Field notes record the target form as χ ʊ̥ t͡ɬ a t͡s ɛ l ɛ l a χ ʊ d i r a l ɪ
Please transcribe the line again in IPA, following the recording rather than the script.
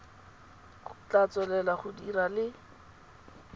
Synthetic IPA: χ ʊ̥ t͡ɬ a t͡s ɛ l ɛ l a χ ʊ d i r a l ɪ